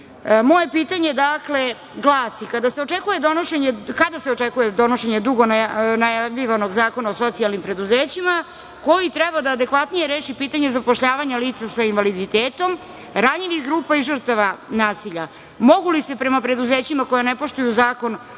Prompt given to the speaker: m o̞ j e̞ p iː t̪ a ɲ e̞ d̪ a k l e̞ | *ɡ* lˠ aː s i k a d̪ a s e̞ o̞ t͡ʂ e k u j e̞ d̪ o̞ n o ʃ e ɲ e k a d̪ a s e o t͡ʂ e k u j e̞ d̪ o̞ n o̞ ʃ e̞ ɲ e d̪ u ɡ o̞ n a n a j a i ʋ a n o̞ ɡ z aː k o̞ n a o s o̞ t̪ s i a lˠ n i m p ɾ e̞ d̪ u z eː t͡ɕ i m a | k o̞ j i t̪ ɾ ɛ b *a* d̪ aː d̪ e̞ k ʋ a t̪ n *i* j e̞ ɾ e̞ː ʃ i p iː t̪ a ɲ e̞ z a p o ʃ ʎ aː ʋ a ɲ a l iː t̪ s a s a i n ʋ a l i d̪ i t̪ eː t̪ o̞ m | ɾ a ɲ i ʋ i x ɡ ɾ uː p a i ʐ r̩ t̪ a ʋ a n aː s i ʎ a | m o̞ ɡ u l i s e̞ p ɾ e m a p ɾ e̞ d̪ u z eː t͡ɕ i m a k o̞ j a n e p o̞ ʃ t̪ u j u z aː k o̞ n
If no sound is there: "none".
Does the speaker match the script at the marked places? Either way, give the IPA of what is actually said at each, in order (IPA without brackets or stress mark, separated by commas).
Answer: ɡ, a, i